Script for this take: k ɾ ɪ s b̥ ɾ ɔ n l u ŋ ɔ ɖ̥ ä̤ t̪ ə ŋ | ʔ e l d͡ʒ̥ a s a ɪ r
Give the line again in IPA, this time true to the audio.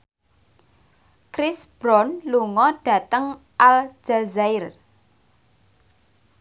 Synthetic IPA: k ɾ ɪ s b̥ ɾ ɔ n l u ŋ ɔ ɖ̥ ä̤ t̪ ə ŋ | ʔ a l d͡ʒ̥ a z a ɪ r